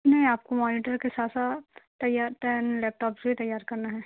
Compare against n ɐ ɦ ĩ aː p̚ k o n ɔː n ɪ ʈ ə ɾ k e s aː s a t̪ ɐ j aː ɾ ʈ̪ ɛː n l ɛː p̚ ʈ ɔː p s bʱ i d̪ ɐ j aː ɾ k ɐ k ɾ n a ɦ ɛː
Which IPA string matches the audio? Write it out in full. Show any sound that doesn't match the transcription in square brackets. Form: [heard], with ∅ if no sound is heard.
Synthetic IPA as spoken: n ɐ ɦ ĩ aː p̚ k o [m] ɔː n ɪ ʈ ə ɾ k e s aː s a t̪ ɐ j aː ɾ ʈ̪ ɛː n l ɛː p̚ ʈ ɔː p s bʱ i [t̪] ɐ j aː ɾ k ɐ [∅] ɾ n a ɦ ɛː